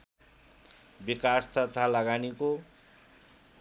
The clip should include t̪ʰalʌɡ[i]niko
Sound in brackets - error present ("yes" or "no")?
yes